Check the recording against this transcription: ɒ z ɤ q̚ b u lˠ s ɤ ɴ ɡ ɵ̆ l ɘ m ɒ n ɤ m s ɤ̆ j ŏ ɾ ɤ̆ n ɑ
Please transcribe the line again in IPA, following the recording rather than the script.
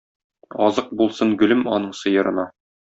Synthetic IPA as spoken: ɒ z ɤ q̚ b u lˠ s ɤ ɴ ɡ ɵ̆ l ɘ m ɒ n ɤ ɴ s ɤ̆ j ɤ̆ ɾ ɤ̆ n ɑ